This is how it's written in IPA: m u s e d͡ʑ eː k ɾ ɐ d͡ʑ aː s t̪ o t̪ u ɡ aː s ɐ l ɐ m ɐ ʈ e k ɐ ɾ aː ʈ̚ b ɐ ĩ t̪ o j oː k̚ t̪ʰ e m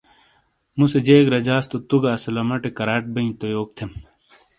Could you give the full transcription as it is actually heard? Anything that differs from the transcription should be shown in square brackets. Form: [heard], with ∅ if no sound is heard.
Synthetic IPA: m u s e d͡ʑ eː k ɾ ɐ d͡ʑ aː s t̪ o t̪ u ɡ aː s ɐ l ɐ m ɐ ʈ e k ɐ ɾ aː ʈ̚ b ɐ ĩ t̪ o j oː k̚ t̪ʰ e m